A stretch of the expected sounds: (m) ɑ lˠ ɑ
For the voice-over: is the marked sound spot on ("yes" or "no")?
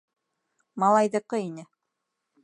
yes